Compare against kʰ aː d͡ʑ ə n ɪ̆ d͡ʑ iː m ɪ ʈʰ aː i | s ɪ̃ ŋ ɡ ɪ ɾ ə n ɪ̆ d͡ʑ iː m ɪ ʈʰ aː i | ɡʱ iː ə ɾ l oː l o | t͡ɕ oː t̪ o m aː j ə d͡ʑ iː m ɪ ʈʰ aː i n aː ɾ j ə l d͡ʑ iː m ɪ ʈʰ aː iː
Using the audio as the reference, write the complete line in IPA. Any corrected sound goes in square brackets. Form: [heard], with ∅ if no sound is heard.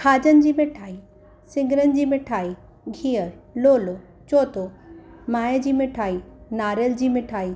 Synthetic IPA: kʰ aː d͡ʑ ə n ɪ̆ d͡ʑ iː m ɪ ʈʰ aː i | s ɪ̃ ŋ ɡ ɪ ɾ ə n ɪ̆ d͡ʑ iː m ɪ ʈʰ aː i | ɡʱ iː ə ɾ l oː l o | t͡ɕ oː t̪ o m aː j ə d͡ʑ iː m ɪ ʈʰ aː i n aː ɾ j ə l d͡ʑ iː m ɪ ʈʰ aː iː

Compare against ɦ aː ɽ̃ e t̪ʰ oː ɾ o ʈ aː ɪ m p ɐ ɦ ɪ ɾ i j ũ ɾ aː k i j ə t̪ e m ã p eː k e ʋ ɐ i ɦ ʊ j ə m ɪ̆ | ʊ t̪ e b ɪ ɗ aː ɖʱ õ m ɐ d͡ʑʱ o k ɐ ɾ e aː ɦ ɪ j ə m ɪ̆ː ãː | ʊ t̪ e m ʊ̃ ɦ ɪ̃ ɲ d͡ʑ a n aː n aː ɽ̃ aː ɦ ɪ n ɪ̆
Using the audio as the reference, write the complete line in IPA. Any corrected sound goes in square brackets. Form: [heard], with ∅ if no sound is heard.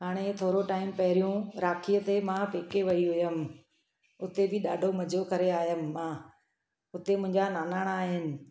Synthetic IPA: ɦ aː ɽ̃ e t̪ʰ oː ɾ o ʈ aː ɪ m p ɐ ɦ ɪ ɾ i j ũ ɾ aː [kʰ] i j ə t̪ e m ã p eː k e ʋ ɐ i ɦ ʊ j ə m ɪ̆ | ʊ t̪ e b ɪ ɗ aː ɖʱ [o] m ɐ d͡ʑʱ o k ɐ ɾ e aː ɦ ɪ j ə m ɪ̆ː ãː | ʊ t̪ e m ʊ̃ ɦ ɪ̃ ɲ d͡ʑ a n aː n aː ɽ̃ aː ɦ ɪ n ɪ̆

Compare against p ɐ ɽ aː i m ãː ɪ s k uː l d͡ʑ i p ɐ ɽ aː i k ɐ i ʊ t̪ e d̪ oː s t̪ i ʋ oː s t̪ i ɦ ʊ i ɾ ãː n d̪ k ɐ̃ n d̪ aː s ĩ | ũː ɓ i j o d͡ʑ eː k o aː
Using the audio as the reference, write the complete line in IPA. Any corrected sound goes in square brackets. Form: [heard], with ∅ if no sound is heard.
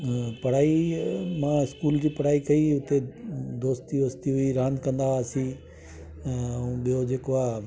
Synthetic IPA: p ɐ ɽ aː i m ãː ɪ s k uː l d͡ʑ [iː] p ɐ ɽ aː i k ɐ i ʊ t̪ e d̪ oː s t̪ i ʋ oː s t̪ i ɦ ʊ i ɾ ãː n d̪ k ɐ̃ n d̪ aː s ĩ | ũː ɓ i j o d͡ʑ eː k o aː

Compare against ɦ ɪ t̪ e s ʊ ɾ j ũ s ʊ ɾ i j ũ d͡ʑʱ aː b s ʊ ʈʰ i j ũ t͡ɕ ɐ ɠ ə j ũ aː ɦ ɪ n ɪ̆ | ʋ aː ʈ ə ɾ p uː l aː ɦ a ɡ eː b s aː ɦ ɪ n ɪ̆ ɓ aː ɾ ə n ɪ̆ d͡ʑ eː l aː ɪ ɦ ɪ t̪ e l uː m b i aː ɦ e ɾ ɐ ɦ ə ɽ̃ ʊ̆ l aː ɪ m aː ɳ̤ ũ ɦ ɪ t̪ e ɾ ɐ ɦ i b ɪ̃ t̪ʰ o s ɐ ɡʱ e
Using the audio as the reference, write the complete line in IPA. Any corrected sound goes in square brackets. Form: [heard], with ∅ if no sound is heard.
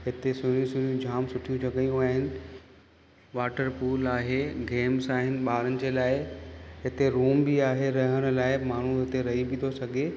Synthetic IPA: ɦ ɪ t̪ e s ʊ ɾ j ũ s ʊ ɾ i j ũ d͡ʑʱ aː [m] s ʊ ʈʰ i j ũ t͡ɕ ɐ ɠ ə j ũ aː ɦ ɪ n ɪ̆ | ʋ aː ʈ ə ɾ p uː l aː ɦ [e] ɡ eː [m] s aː ɦ ɪ n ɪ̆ ɓ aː ɾ ə n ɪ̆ d͡ʑ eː l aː ɪ ɦ ɪ t̪ e [ɾ] uː m b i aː ɦ e ɾ ɐ ɦ ə ɽ̃ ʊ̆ l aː ɪ m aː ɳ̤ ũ ɦ ɪ t̪ e ɾ ɐ ɦ i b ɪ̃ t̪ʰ o s ɐ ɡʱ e

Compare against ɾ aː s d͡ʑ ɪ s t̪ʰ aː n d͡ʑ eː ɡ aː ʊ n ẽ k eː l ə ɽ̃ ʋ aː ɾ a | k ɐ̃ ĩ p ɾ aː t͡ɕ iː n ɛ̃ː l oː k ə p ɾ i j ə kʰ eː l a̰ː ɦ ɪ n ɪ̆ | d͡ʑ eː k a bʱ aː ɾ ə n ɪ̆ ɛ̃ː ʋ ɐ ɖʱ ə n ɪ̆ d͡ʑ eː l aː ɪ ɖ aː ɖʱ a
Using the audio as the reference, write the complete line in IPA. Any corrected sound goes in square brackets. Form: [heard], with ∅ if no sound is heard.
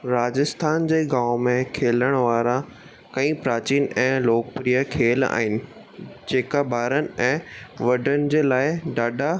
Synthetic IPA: ɾ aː [∅] d͡ʑ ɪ s t̪ʰ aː n d͡ʑ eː ɡ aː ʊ [m] ẽ [kʰ] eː l ə ɽ̃ ʋ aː ɾ a | k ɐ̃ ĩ p ɾ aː t͡ɕ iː n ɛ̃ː l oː k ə p ɾ i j ə kʰ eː l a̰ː ɦ ɪ n ɪ̆ | d͡ʑ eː k a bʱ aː ɾ ə n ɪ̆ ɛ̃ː ʋ ɐ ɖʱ ə n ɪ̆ d͡ʑ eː l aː ɪ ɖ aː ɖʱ a

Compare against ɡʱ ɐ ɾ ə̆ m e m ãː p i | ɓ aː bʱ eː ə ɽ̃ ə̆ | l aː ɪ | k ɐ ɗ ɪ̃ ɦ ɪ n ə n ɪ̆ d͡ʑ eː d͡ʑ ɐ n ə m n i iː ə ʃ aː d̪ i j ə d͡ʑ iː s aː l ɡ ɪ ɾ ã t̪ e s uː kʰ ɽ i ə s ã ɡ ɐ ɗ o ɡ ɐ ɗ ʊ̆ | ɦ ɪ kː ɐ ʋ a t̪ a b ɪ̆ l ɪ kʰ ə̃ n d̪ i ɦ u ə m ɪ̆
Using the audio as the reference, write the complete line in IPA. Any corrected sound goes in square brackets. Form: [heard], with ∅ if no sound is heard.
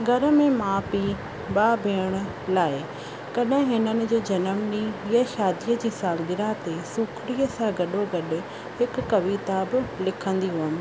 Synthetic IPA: ɡʱ ɐ ɾ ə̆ m [ẽ] m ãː p i | ɓ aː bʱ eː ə ɽ̃ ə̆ | l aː ɪ | k ɐ ɗ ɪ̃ ɦ ɪ n ə n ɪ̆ d͡ʑ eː d͡ʑ ɐ n ə m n i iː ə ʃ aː d̪ i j ə d͡ʑ iː s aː l ɡ ɪ ɾ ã t̪ e s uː kʰ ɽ i ə s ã ɡ ɐ ɗ o ɡ ɐ ɗ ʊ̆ | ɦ ɪ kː ɐ ʋ [i] t̪ a b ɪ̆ l ɪ kʰ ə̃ n d̪ i ɦ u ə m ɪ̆

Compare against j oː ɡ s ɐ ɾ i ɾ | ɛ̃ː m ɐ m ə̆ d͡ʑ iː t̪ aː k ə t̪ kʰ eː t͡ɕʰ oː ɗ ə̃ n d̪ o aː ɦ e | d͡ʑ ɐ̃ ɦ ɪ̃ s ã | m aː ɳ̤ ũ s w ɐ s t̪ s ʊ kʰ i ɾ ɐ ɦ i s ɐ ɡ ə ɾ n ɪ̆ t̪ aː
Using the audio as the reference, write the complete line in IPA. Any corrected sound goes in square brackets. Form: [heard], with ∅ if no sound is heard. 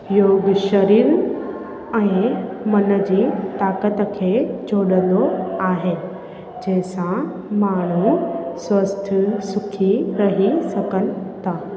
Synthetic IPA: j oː ɡ [ʃ] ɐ ɾ i ɾ | ɛ̃ː m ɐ [n] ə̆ d͡ʑ iː t̪ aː k ə t̪ kʰ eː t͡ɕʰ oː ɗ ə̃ n d̪ o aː ɦ e | d͡ʑ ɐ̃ ɦ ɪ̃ s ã | m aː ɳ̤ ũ s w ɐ s [t̪ʰ] s ʊ kʰ i ɾ ɐ ɦ i s ɐ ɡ ə [∅] n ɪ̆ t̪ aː

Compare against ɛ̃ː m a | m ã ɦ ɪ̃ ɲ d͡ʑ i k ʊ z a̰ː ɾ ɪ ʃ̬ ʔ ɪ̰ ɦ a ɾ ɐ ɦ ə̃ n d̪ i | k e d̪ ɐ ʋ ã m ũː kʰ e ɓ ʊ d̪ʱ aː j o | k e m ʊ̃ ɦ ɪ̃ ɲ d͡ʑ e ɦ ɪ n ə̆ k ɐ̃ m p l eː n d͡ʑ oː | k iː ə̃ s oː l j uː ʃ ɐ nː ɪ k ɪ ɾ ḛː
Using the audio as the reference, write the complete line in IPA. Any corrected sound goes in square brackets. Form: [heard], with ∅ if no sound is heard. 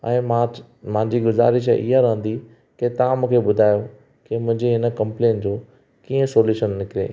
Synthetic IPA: ɛ̃ː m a | m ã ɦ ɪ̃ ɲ d͡ʑ i [ɡ] ʊ z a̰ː ɾ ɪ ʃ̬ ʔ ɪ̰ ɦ a ɾ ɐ ɦ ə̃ n d̪ i | k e [t̪] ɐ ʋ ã m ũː kʰ e ɓ ʊ d̪ʱ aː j o | k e m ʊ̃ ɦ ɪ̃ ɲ d͡ʑ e ɦ ɪ n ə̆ k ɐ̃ m p l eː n d͡ʑ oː | k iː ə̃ s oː l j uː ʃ [ə] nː ɪ k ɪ ɾ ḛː

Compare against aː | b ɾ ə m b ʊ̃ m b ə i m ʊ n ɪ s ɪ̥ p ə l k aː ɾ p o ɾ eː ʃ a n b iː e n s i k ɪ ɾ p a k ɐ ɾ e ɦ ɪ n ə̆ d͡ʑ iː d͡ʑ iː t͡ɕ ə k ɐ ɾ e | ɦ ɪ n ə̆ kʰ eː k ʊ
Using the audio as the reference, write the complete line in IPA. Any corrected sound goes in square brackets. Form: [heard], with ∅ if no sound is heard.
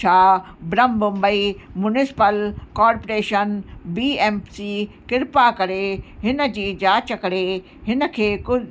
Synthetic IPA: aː | b ɾ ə m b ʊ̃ m b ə i m ʊ n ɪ s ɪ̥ p ə l k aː ɾ p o ɾ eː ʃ [ə] n b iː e [m] s i k ɪ ɾ p a k ɐ ɾ e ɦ ɪ n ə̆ d͡ʑ iː d͡ʑ [aː] t͡ɕ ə k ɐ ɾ e | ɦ ɪ n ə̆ kʰ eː k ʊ

